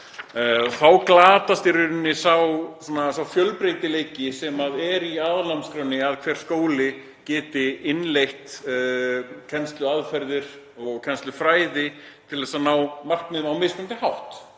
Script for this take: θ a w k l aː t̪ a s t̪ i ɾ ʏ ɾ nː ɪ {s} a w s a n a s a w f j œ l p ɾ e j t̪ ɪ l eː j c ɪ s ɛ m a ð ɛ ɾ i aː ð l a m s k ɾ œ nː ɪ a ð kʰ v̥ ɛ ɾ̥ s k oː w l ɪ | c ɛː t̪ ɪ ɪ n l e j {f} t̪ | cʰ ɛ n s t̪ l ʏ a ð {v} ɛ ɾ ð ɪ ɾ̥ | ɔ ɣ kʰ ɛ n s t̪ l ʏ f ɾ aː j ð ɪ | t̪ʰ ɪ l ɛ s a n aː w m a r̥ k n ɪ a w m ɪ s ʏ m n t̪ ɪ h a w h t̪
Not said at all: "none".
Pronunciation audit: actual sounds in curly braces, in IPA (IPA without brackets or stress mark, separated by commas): s, h, f